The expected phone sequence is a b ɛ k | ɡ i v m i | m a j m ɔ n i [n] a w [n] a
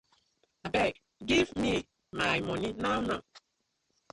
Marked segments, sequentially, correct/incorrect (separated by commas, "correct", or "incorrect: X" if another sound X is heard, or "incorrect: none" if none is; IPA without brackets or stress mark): correct, correct